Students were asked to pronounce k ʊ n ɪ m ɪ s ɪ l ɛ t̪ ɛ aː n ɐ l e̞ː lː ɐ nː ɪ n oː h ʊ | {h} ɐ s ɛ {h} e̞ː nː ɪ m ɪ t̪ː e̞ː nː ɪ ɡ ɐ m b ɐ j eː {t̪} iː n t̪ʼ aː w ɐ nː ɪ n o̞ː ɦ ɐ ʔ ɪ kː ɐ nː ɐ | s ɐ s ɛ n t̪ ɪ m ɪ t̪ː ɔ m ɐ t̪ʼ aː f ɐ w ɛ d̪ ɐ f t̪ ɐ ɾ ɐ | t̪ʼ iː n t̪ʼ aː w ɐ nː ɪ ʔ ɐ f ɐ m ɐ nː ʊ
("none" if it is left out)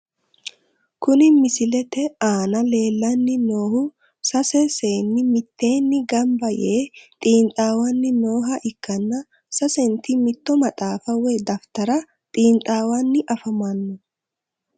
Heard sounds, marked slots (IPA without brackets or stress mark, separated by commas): s, s, t̪ʼ